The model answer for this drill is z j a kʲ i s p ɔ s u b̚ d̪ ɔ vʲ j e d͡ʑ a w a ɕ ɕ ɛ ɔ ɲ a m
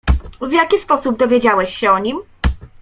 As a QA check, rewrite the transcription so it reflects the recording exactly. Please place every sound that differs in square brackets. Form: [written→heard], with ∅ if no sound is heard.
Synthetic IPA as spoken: [z→v] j a kʲ i s p ɔ s u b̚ d̪ ɔ vʲ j e d͡ʑ a w [a→ɛ] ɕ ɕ ɛ ɔ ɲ [a→i] m